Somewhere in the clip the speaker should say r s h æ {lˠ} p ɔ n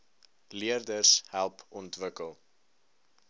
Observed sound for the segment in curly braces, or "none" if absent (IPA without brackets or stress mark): lˠ